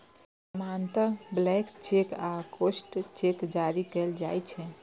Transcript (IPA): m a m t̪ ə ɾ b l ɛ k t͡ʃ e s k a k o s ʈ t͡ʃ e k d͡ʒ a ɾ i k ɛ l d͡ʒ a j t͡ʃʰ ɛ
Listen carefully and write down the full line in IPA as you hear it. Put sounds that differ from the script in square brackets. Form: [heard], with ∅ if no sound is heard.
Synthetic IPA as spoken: m a [n] t̪ ə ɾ b l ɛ k t͡ʃ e [∅] k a k o s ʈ t͡ʃ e k d͡ʒ a ɾ i k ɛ l d͡ʒ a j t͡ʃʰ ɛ

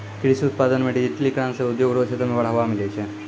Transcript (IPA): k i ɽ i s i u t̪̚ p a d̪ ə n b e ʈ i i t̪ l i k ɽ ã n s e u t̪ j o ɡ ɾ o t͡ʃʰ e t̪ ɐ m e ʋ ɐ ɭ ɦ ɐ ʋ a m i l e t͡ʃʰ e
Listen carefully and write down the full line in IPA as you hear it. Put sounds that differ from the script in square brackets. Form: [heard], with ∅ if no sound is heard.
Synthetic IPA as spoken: k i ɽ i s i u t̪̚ p a d̪ ə n [m] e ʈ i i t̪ l i k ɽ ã n s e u [d̪] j o ɡ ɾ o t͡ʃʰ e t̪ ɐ m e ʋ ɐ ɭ ɦ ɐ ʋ a m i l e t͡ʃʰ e

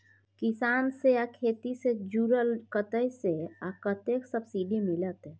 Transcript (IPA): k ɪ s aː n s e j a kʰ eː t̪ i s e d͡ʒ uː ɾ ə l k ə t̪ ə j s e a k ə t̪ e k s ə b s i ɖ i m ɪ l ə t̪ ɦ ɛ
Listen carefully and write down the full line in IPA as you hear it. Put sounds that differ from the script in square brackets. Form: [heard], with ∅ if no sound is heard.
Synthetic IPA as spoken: k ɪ s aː n s e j a kʰ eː t̪ i s e d͡ʒ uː ɾ ə l k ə t̪ ə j s e a k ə t̪ e k s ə b s i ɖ i m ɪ l ə t̪ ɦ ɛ

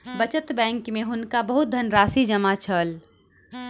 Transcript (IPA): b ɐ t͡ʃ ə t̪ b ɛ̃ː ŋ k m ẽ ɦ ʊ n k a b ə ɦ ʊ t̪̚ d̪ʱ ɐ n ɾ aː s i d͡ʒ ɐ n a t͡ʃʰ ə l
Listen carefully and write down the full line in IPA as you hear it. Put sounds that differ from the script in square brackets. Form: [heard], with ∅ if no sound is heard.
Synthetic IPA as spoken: b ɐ t͡ʃ ə t̪ b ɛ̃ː ŋ k m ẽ ɦ ʊ n k a b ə ɦ ʊ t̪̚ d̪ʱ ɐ n ɾ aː s i d͡ʒ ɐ [m] a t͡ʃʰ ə l

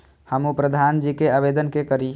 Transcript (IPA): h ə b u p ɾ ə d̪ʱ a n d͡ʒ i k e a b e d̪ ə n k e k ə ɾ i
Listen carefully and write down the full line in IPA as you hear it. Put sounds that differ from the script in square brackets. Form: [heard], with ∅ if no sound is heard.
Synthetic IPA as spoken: h ə [m] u p ɾ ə d̪ʱ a n d͡ʒ i k e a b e d̪ ə n k e k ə ɾ i

